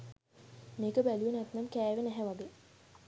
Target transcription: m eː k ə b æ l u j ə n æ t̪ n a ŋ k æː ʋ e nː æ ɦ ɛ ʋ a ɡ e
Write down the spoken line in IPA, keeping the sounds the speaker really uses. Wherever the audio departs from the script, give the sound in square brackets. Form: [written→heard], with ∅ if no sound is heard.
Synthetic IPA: m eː k ə b æ l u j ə n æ t̪ n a [ŋ→m] k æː ʋ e [nː→n] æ ɦ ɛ ʋ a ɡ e